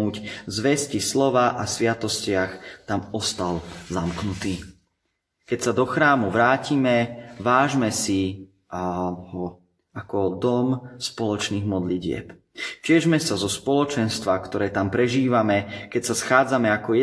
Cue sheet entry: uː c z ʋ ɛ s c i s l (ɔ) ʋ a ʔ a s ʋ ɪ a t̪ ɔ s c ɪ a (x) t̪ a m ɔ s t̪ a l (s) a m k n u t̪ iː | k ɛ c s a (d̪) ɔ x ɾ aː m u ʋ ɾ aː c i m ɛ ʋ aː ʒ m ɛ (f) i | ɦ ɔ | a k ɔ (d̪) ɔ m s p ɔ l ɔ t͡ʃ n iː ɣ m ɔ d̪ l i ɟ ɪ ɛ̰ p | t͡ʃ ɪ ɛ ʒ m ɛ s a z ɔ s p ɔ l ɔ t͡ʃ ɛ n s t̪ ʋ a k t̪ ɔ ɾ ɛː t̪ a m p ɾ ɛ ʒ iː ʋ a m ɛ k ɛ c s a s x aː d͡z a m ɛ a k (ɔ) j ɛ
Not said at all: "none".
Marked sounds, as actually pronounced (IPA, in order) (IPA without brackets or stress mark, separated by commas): ɔ, x, z, d̪, s, d̪, ɔ